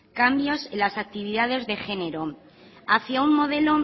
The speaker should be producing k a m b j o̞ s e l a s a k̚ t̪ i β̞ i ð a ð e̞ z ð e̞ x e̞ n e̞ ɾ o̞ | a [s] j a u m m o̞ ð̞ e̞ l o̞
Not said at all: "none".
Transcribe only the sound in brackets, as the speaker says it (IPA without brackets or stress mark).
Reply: θ